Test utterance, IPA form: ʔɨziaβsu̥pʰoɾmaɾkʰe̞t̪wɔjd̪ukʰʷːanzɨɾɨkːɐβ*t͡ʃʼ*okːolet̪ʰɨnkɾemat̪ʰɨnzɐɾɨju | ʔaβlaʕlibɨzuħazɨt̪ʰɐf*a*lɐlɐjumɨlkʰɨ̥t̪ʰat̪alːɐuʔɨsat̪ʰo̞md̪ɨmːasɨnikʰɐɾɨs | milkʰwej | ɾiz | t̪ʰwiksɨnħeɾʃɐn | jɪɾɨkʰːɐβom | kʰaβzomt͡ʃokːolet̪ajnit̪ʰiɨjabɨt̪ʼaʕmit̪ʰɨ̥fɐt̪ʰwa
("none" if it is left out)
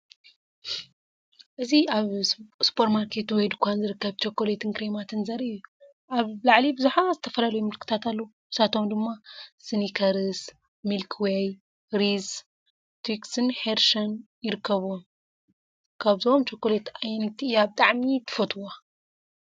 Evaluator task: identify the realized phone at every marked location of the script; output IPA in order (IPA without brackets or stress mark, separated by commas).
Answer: t͡ʃ, ɐ